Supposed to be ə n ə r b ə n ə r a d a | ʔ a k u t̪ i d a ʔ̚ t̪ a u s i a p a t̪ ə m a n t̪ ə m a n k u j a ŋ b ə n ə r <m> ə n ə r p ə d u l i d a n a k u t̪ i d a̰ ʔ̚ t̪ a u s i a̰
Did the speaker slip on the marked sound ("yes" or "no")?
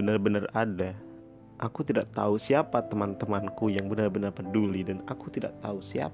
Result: yes